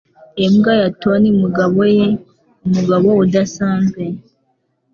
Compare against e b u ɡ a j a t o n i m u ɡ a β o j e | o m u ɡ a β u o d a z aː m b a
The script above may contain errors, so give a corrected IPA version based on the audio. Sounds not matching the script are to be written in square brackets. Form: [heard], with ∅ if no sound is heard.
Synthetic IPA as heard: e [m] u ɡ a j a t o n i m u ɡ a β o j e | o m u ɡ a β [o] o d a [s] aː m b [e]